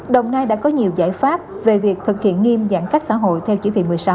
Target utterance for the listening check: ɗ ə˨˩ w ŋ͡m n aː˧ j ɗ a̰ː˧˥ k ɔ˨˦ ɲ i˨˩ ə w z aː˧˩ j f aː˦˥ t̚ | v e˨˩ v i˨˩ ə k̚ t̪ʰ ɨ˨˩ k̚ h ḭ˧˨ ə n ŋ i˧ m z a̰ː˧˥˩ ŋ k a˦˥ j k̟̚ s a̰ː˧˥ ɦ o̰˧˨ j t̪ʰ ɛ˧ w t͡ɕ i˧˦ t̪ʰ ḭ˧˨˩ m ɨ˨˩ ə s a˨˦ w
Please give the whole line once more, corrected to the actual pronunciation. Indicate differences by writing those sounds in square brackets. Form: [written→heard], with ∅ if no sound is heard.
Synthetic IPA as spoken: ɗ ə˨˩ w ŋ͡m n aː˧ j ɗ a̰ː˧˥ k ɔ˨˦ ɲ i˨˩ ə w z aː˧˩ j f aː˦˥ [t̚→p̚] | v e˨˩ v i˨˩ ə k̚ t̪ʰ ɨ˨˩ k̚ h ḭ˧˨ ə n ŋ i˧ m z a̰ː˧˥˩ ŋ k a˦˥ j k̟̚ s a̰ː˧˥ ɦ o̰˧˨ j t̪ʰ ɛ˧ w t͡ɕ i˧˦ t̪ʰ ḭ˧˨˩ m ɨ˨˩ ə s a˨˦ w